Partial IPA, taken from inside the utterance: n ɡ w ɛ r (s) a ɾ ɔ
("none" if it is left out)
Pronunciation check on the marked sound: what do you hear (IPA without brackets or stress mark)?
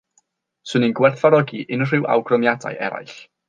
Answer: θ